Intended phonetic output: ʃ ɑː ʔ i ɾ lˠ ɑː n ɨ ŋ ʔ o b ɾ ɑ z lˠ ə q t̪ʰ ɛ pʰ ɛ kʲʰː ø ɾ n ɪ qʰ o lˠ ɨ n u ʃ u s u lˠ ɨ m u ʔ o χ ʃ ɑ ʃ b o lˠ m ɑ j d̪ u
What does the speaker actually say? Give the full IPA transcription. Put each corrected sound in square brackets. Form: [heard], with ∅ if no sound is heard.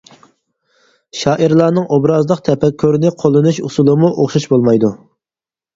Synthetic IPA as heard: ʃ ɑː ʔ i ɾ lˠ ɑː n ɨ ŋ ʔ o b ɾ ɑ z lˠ ə q t̪ʰ ɛ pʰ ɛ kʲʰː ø ɾ n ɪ qʰ o lˠ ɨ n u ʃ u s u lˠ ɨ m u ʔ o χ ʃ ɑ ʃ b o lˠ m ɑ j d̪ u